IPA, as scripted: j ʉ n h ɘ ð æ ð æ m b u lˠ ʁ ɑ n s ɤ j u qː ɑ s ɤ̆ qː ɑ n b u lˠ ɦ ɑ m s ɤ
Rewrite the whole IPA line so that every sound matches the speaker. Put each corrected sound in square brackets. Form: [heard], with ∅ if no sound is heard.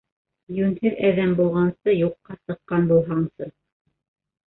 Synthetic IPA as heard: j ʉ n h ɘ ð æ ð æ m b u lˠ ʁ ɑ n s ɤ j u qː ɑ s ɤ̆ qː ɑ n b u lˠ ɦ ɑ [ɴ] s ɤ